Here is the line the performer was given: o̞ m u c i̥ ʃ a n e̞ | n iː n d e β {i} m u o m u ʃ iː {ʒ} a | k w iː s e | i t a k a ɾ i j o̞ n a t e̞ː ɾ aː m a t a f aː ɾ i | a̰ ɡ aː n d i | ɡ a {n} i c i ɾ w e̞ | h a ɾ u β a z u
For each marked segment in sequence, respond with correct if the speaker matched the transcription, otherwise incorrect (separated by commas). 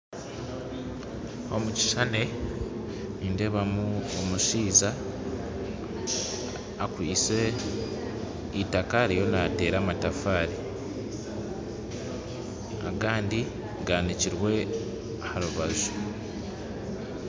incorrect, incorrect, correct